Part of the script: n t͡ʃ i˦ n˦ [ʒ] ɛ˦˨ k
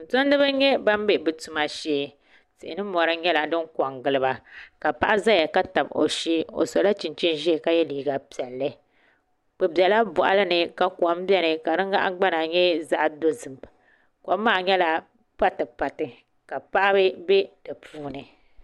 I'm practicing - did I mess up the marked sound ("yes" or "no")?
no